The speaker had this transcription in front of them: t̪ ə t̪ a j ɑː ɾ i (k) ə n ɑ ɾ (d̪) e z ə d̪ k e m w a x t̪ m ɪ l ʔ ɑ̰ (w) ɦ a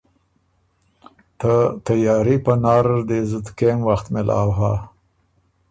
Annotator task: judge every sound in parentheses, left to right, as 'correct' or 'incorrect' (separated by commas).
incorrect, correct, correct